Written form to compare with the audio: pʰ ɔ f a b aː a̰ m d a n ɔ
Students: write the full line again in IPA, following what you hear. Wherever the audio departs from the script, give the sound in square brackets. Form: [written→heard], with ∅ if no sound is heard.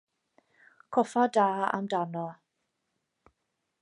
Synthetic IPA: [pʰ→kʰ] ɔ f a [b→d] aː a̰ m d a n ɔ